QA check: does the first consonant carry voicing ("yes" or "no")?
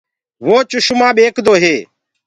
yes